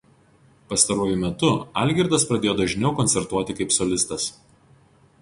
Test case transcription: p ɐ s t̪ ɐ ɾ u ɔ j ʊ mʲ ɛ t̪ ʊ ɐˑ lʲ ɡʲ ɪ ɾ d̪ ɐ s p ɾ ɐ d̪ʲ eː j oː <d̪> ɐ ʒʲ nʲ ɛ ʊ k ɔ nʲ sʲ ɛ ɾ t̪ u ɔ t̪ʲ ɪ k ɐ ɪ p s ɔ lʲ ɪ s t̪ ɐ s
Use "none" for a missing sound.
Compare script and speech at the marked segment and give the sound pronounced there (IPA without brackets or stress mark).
d̪